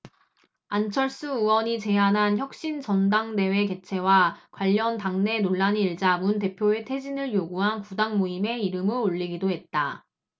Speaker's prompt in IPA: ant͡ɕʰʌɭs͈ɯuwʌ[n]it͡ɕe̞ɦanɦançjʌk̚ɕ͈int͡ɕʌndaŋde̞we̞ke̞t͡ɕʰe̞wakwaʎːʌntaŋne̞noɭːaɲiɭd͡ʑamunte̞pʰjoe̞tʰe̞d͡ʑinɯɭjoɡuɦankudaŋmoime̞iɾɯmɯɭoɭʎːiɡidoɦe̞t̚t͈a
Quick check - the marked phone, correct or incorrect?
incorrect